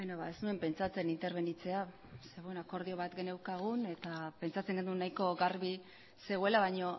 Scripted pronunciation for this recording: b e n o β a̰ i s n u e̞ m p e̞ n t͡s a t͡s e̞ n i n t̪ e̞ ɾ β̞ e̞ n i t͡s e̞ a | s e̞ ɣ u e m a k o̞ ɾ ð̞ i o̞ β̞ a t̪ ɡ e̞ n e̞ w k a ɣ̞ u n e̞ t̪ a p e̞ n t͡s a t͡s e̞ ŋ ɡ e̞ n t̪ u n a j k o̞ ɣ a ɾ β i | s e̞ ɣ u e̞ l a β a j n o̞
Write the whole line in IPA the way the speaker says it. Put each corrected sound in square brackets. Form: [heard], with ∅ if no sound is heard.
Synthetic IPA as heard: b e n o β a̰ [e] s n u e̞ m p e̞ n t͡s a t͡s e̞ n i n t̪ e̞ ɾ β̞ e̞ n i t͡s e̞ a | s e̞ ɣ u e [n] a k o̞ ɾ ð̞ i o̞ β̞ a t̪ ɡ e̞ n e̞ w k a ɣ̞ u n e̞ t̪ a p e̞ n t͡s a t͡s e̞ ŋ ɡ e̞ n [d̪] u n a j k o̞ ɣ a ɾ β i | s e̞ ɣ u e̞ l a β a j [ɲ] o̞

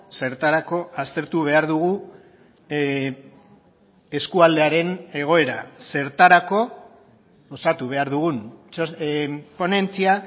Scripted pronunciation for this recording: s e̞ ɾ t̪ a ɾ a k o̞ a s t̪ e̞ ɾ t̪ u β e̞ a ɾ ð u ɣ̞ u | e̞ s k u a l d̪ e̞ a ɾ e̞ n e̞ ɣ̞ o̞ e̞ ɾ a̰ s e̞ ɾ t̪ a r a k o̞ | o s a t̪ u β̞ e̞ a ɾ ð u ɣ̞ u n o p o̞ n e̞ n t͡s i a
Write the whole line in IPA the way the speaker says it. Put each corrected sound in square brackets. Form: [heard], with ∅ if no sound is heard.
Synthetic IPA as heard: s e̞ ɾ t̪ a ɾ a k o̞ a s t̪ e̞ ɾ t̪ u β e̞ a ɾ ð u ɣ̞ u | e̞ s k u a l d̪ e̞ a ɾ e̞ n e̞ ɣ̞ o̞ e̞ ɾ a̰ s e̞ ɾ t̪ a [ɾ] a k o̞ | o s a t̪ u β̞ e̞ a ɾ ð u ɣ̞ u n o p o̞ n e̞ n t͡s i a

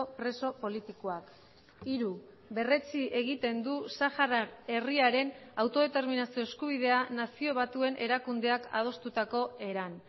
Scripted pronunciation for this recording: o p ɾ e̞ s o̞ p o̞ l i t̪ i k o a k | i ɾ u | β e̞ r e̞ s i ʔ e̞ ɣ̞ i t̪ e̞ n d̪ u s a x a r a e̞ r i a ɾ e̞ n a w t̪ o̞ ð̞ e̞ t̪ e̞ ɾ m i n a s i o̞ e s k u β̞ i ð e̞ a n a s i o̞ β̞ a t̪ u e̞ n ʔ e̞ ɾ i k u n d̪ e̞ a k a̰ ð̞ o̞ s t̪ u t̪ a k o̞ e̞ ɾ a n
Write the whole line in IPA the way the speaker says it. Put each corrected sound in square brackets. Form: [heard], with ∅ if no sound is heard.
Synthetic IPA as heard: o p ɾ e̞ s o̞ p o̞ l i t̪ i k o a k | i ɾ u | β e̞ r e̞ [t͡s] i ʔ e̞ ɣ̞ i t̪ e̞ n d̪ u s a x a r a e̞ r i a ɾ e̞ n a w t̪ o̞ ð̞ e̞ t̪ e̞ ɾ m i n a s i o̞ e s k u β̞ i ð e̞ a n a s i o̞ β̞ a t̪ u e̞ n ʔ e̞ ɾ [a] k u n d̪ e̞ a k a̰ ð̞ o̞ s t̪ u t̪ a k o̞ e̞ ɾ a n

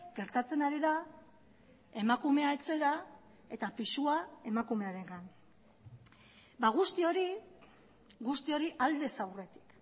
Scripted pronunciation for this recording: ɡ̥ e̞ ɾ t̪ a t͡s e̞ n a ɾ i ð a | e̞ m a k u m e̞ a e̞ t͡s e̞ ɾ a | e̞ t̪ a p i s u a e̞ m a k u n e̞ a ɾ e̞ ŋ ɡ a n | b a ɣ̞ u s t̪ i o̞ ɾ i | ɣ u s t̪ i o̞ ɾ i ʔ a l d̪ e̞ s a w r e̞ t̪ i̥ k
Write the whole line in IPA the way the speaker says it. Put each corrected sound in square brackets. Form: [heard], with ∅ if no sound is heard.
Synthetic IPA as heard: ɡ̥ e̞ ɾ t̪ a t͡s e̞ n a ɾ i ð a | e̞ m a k u m e̞ a e̞ t͡s e̞ ɾ a | e̞ t̪ a p i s u a e̞ m a k u [m] e̞ a ɾ e̞ ŋ ɡ a n | b a ɣ̞ u s t̪ i o̞ ɾ i | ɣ u s t̪ i o̞ ɾ i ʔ a l d̪ e̞ s a w r e̞ t̪ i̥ k

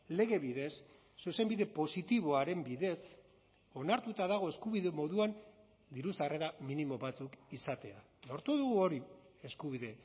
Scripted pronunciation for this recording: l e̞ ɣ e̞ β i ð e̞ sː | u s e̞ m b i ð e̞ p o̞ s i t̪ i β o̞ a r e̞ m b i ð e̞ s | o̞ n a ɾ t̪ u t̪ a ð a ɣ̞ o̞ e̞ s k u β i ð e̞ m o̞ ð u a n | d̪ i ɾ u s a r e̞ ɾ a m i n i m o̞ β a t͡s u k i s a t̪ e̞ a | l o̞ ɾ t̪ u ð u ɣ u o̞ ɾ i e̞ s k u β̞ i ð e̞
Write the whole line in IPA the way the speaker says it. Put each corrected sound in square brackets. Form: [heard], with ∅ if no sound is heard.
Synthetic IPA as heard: l e̞ ɣ e̞ β i ð e̞ sː | u s e̞ m b i ð e̞ p o̞ s i t̪ i β o̞ a [ɾ] e̞ m b i ð e̞ s | o̞ n a ɾ t̪ u t̪ a ð a ɣ̞ o̞ e̞ s k u β i ð e̞ m o̞ ð u a n | d̪ i ɾ u s a r e̞ ɾ a m i n i m o̞ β a t͡s u k i s a t̪ e̞ a | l o̞ ɾ t̪ u ð u ɣ u o̞ ɾ i e̞ s k u β̞ i ð e̞

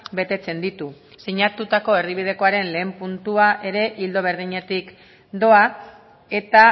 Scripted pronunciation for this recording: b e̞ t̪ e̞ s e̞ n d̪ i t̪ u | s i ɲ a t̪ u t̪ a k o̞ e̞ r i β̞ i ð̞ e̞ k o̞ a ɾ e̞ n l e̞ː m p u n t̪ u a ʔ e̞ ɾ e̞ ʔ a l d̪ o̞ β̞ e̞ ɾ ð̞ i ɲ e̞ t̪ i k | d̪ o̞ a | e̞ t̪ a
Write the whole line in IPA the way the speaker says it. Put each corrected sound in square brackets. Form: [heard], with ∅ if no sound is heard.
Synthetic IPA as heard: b e̞ t̪ e̞ [t͡s] e̞ n d̪ i t̪ u | s i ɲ a t̪ u t̪ a k o̞ e̞ r i β̞ i ð̞ e̞ k o̞ a ɾ e̞ n l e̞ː m p u n t̪ u a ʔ e̞ ɾ e̞ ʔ [i] l d̪ o̞ β̞ e̞ ɾ ð̞ i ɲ e̞ t̪ i k | d̪ o̞ a | e̞ t̪ a

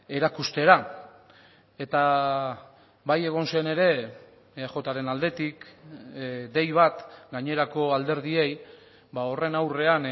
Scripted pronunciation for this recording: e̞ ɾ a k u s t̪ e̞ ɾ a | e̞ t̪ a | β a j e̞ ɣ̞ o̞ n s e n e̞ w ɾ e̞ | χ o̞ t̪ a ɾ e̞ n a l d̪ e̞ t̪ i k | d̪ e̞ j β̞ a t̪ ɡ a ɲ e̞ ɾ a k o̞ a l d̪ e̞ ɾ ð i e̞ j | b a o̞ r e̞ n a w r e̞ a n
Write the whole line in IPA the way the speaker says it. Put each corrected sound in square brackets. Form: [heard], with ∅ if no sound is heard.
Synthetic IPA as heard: e̞ ɾ a k u s t̪ e̞ ɾ a | e̞ t̪ a | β a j e̞ ɣ̞ o̞ n s e n e̞ [∅] ɾ e̞ | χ o̞ t̪ a ɾ e̞ n a l d̪ e̞ t̪ i k | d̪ e̞ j β̞ a t̪ ɡ a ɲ e̞ ɾ a k o̞ a l d̪ e̞ ɾ ð i e̞ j | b a o̞ r e̞ n a w r e̞ a n

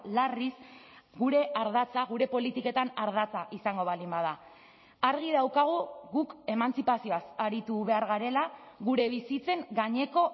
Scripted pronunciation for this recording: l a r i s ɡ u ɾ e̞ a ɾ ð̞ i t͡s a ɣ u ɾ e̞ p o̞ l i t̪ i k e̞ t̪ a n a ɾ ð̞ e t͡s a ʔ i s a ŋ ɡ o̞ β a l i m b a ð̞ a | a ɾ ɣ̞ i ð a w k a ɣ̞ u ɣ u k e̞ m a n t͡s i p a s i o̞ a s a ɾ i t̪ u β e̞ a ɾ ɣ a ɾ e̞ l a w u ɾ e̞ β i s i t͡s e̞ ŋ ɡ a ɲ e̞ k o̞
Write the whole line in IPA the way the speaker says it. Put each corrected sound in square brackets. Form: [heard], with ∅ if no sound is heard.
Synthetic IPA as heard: l a r i s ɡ u ɾ e̞ a ɾ ð̞ [a] t͡s a ɣ u ɾ e̞ p o̞ l i t̪ i k e̞ t̪ a n a ɾ ð̞ [a] t͡s a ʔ i s a ŋ ɡ o̞ β a l i m b a ð̞ a | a ɾ ɣ̞ i ð a w k a ɣ̞ u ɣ u k e̞ m a n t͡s i p a s i o̞ a s a ɾ i t̪ u β e̞ a ɾ ɣ a ɾ e̞ l a [ɣ] u ɾ e̞ β i s i t͡s e̞ ŋ ɡ a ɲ e̞ k o̞

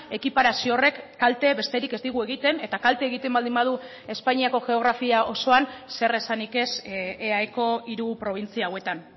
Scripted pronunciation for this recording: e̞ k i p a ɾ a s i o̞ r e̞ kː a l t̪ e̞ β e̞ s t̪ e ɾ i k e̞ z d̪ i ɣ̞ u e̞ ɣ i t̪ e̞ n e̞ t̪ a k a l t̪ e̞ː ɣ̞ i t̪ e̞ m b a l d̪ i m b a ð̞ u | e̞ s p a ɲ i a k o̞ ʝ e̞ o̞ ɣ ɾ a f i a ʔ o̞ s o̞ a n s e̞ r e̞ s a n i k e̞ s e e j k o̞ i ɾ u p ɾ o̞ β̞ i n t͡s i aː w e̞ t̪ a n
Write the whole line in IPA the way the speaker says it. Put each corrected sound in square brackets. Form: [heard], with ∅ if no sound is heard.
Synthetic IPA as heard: e̞ k i p a ɾ a s i o̞ r e̞ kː a l t̪ e̞ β e̞ s t̪ e ɾ i k e̞ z d̪ i ɣ̞ u e̞ ɣ i t̪ e̞ n e̞ t̪ a k a l t̪ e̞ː ɣ̞ i t̪ e̞ m b a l d̪ i m b a ð̞ u | e̞ s p a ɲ i a k o̞ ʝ e̞ o̞ ɣ ɾ a f i a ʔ o̞ s o̞ a n s e̞ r e̞ s a n i k e̞ s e [a] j k o̞ i ɾ u p ɾ o̞ β̞ i n t͡s i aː w e̞ t̪ a n

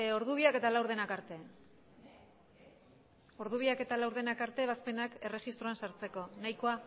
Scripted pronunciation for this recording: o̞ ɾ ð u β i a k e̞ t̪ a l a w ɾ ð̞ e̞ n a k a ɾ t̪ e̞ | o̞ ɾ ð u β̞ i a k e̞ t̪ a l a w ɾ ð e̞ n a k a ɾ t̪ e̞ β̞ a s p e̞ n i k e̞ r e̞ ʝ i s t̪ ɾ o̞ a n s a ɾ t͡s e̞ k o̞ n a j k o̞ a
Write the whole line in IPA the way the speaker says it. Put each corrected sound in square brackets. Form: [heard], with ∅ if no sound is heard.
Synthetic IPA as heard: o̞ ɾ ð u β i a k e̞ t̪ a l a w ɾ ð̞ e̞ n a k a ɾ t̪ e̞ | o̞ ɾ ð u β̞ i a k e̞ t̪ a l a w ɾ ð e̞ n a k a ɾ t̪ e̞ β̞ a s p e̞ n [a] k e̞ r e̞ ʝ i s t̪ ɾ o̞ a n s a ɾ t͡s e̞ k o̞ n a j k o̞ a

